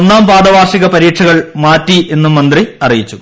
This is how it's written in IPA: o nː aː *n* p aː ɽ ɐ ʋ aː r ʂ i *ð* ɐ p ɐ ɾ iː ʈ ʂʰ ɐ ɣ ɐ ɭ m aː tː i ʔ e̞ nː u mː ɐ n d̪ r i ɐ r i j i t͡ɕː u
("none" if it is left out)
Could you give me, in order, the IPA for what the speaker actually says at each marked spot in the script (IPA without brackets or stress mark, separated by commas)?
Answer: m, ɣ